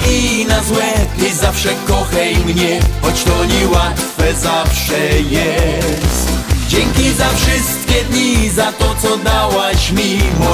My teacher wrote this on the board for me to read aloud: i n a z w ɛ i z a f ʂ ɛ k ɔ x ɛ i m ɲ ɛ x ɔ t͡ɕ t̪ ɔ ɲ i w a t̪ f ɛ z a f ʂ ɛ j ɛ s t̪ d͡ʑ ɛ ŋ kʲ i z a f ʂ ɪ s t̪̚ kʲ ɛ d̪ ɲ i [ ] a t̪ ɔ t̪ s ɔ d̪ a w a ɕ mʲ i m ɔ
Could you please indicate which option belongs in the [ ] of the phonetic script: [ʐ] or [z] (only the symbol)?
z